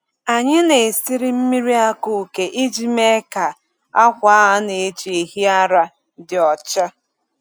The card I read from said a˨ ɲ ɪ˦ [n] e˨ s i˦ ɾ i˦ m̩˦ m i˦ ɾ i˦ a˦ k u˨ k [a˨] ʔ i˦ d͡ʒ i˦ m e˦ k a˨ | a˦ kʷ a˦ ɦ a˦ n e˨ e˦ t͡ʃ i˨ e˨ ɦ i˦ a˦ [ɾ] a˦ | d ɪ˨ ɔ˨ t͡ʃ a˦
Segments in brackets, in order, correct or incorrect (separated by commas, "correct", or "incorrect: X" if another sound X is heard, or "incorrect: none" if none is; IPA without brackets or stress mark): correct, incorrect: e˨, correct